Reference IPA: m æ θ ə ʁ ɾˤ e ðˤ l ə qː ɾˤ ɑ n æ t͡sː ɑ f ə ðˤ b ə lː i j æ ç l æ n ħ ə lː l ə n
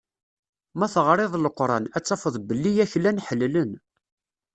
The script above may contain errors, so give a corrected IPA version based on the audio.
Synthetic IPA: m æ θ ə ʁ ɾˤ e ðˤ l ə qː ɾˤ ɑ n æ t͡sː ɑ f ə ðˤ b ə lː i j æ ç l æ n ħ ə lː l ə n